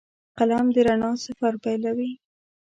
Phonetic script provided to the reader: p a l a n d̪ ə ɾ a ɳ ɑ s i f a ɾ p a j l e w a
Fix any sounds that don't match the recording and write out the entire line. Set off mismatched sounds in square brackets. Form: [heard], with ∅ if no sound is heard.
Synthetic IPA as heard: [q] a l a [m] d̪ ə ɾ a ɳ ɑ s [a] f a ɾ p a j l [a] w [i]